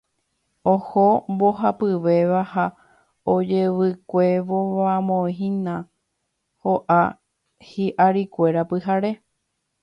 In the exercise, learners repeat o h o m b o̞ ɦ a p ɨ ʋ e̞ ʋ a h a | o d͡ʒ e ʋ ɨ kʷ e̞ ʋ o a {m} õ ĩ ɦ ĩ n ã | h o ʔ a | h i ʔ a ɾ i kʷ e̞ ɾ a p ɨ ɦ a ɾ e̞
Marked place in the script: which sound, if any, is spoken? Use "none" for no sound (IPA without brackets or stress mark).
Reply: m